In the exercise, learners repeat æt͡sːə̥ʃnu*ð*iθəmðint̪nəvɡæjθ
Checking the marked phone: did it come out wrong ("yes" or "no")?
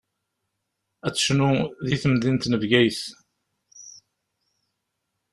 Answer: no